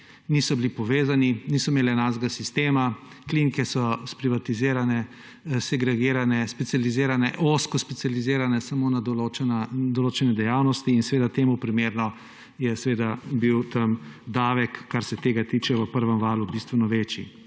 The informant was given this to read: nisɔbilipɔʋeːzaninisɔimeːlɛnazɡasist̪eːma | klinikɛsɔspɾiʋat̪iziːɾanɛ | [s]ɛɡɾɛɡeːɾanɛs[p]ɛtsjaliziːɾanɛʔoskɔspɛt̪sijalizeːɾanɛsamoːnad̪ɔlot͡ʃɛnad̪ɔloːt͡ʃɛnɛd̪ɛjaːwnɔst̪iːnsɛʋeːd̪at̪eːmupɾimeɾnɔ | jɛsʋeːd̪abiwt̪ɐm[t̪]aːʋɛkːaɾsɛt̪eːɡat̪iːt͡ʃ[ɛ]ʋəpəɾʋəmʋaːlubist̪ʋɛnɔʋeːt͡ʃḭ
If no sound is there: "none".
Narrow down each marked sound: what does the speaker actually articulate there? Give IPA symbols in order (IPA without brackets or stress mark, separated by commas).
s, p, d̪, ɛ